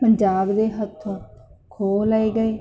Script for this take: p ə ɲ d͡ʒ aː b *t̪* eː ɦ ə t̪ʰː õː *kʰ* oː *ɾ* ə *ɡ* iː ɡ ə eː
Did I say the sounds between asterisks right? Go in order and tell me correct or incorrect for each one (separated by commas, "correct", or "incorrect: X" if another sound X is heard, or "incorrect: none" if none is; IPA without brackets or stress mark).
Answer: incorrect: d̪, correct, incorrect: l, incorrect: none